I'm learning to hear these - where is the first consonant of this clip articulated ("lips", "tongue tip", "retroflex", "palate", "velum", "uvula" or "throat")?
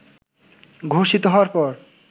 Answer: velum